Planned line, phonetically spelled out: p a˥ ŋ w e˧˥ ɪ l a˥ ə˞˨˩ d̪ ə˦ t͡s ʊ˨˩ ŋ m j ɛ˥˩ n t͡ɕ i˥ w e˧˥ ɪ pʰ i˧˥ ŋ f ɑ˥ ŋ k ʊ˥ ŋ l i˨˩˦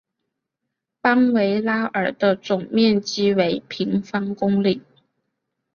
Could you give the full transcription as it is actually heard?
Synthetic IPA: p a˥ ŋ w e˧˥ ɪ l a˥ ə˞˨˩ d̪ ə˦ t͡s ʊ˨˩ ŋ m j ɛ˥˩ n t͡ɕ i˥ w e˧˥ ɪ pʰ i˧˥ ŋ f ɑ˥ ŋ k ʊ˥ ŋ l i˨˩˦